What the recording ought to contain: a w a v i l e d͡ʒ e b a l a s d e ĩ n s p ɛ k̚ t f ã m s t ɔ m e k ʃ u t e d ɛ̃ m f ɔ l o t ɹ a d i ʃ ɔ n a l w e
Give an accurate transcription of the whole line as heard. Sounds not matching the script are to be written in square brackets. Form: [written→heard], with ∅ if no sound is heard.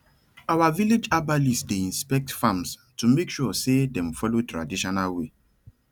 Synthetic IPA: a w a v i l e d͡ʒ [e→a] b a l [a→i] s d e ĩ n s p ɛ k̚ t f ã m s t [ɔ→u] m e k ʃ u [t→s] e d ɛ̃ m f ɔ l o t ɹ a d i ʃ ɔ n a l w e

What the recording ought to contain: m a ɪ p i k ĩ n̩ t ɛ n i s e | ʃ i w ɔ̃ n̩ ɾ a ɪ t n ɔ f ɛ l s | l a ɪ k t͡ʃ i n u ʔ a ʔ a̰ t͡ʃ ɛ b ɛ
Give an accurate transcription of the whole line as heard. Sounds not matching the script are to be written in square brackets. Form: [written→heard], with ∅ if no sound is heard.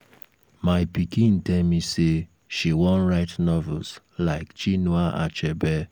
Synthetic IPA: m a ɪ p i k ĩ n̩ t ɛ [n→m] i s e | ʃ i w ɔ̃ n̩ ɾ a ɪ t n ɔ [f→v] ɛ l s | l a ɪ k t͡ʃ i n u [ʔ→∅] a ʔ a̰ t͡ʃ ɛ b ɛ

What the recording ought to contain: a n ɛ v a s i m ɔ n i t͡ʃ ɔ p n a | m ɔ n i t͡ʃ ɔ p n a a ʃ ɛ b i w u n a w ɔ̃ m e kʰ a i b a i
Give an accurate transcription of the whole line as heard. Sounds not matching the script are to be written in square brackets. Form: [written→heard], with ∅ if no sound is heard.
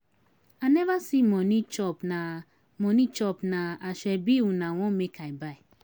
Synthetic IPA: a n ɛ v a s i m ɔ n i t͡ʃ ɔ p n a | m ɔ n i t͡ʃ ɔ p n a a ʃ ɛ b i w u n a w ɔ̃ m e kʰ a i b a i

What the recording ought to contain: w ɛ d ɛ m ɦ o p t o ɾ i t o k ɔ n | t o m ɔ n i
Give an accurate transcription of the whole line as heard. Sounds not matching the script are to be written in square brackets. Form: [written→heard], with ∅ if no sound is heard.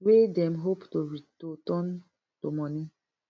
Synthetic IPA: w [ɛ→e] d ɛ m ɦ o p t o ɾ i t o [k→t] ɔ n | t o m ɔ n i

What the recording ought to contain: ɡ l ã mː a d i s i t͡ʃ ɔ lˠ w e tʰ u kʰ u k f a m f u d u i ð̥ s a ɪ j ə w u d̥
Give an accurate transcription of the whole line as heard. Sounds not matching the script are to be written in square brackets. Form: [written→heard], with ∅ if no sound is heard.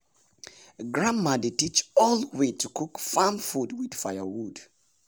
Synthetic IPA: ɡ [l→ɹ] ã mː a d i [s→t] i t͡ʃ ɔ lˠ w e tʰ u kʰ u k f a m f u d [u→w] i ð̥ [s→f] a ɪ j ə w u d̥

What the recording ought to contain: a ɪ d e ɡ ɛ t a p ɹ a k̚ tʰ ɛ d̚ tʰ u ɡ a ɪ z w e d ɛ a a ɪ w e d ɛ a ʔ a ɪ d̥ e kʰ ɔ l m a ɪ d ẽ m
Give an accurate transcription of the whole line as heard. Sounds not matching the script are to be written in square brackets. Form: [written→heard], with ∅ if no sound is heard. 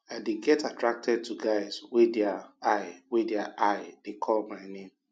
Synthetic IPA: a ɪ d e ɡ ɛ t a [p→t] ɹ a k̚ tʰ ɛ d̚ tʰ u ɡ a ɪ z w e d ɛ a a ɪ w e d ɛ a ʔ a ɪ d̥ e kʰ ɔ l m a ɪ [d→n] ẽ m

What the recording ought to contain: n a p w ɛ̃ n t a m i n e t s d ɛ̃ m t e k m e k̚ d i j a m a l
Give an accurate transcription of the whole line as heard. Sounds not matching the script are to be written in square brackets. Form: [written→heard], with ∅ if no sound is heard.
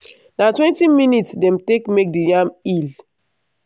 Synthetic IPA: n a [p→t] w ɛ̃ n t [a→i] m i n [e→i] t s d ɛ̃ m t e k m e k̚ d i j a m [a→i] l

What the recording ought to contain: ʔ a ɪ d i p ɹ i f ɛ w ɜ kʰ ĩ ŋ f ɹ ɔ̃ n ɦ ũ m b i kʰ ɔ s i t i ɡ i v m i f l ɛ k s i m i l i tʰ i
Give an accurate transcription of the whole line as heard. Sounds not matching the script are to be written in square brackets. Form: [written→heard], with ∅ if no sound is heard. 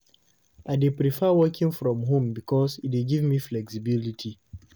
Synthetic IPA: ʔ a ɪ d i p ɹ i f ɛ w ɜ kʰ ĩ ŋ f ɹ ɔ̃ [n→m] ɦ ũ m b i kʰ ɔ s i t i ɡ i v m i f l ɛ k s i [m→b] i l i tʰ i

